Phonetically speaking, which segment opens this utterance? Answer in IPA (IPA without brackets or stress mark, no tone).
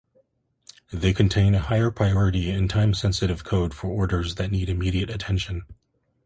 ð